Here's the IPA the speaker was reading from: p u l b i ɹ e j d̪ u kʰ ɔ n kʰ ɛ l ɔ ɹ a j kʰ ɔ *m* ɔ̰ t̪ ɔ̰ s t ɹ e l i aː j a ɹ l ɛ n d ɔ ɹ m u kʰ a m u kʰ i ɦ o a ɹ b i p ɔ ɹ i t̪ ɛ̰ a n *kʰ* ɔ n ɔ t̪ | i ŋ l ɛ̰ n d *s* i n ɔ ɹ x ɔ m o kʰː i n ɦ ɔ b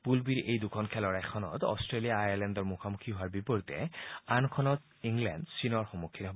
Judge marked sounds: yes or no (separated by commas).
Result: no, yes, yes